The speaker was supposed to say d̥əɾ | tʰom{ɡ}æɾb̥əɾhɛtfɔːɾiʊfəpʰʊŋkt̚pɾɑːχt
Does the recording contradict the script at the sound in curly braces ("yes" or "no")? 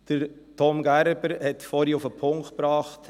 no